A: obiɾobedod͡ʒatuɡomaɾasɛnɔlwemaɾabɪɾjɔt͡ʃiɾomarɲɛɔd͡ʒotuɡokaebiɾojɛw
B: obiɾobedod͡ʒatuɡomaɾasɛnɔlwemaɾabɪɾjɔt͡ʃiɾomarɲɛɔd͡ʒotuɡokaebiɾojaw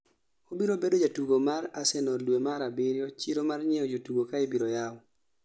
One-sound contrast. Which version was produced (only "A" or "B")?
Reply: B